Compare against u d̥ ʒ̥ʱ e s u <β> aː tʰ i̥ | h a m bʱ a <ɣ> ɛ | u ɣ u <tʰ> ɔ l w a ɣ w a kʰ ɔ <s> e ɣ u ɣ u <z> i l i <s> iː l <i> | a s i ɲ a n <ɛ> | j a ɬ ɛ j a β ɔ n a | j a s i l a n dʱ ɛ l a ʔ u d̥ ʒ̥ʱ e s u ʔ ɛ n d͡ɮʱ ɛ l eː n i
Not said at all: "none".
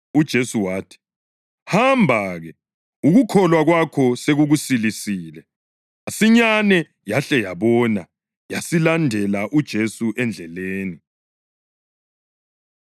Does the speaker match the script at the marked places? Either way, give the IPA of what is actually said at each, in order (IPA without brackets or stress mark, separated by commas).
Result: w, ɣ, kʰ, s, s, s, ɛ, ɛ